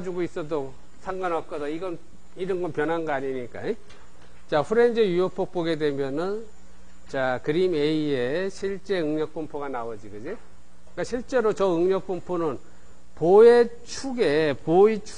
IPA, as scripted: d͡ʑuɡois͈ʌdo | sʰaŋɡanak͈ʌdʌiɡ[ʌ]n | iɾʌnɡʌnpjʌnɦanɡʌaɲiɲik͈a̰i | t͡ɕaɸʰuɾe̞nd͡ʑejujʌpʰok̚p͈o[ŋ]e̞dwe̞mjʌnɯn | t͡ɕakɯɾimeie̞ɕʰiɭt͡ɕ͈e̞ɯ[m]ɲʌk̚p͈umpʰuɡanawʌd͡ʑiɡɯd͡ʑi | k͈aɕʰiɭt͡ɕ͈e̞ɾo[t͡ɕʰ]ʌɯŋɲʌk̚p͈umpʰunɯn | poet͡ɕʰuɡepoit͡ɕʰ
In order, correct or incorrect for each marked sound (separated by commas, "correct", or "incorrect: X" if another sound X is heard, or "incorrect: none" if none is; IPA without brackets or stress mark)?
correct, incorrect: ɡ, incorrect: ŋ, incorrect: t͡ɕ